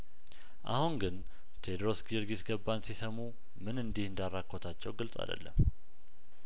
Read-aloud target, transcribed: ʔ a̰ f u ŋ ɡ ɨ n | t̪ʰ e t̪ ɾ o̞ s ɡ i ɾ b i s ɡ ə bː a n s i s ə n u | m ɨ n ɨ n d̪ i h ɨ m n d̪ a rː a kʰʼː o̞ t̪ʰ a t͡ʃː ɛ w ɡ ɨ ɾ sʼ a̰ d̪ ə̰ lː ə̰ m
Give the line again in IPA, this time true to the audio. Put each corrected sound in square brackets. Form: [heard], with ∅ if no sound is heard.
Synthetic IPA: ʔ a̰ [h] u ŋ ɡ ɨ n | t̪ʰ e [d̪] ɾ o̞ s ɡ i ɾ [ɡ] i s ɡ ə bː a n s i s ə [m] u | m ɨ n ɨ n d̪ i h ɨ [∅] n d̪ a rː a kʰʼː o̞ t̪ʰ a t͡ʃː ɛ w ɡ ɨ [l] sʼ a̰ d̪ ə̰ lː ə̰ m